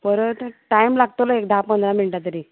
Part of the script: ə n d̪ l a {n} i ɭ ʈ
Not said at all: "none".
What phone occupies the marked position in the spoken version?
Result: m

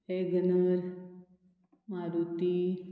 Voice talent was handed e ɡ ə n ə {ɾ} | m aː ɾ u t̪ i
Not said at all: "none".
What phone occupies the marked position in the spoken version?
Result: ɾ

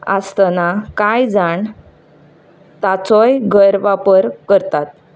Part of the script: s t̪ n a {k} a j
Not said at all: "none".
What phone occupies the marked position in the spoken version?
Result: k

